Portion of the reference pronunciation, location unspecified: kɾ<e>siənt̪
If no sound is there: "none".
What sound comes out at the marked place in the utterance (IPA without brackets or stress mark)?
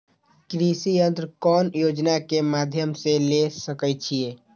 i